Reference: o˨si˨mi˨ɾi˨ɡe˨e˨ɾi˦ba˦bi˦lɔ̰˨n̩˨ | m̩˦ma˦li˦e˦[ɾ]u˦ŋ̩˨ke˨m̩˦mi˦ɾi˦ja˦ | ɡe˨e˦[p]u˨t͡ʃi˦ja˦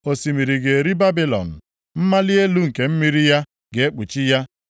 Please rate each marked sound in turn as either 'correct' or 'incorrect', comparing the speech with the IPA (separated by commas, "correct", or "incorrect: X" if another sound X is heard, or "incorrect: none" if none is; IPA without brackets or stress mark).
incorrect: l, incorrect: k͡p